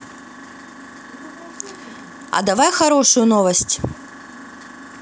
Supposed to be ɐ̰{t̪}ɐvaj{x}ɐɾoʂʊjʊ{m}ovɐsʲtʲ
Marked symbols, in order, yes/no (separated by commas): no, yes, no